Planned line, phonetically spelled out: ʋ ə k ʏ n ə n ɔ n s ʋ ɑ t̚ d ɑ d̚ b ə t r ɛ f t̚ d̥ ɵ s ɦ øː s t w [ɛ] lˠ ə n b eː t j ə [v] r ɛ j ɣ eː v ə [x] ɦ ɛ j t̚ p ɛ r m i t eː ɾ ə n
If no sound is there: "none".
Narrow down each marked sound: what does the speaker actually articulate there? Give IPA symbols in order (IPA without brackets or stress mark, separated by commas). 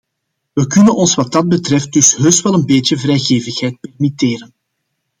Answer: ɛ, v, x